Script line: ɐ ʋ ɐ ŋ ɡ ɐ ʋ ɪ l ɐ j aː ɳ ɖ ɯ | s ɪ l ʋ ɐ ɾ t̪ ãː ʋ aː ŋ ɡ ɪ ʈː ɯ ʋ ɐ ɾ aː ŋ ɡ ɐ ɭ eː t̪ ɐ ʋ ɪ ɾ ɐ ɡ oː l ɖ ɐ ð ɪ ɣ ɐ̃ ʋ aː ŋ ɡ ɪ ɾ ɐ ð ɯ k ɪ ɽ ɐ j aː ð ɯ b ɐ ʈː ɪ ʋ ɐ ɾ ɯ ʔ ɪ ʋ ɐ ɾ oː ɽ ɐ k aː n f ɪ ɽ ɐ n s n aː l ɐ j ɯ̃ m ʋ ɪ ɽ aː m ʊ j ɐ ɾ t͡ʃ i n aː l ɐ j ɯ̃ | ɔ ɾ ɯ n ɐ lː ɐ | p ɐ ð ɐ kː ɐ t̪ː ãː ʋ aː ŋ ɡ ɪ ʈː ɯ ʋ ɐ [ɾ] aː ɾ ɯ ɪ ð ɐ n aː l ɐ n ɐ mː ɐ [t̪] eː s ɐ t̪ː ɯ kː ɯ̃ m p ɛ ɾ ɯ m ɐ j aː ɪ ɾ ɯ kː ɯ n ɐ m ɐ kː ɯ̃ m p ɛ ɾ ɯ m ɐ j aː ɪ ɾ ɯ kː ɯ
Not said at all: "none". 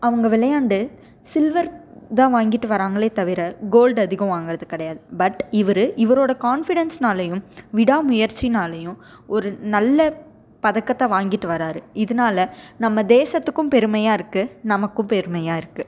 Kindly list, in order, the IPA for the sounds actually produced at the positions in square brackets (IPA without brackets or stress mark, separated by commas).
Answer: ɾ, d̪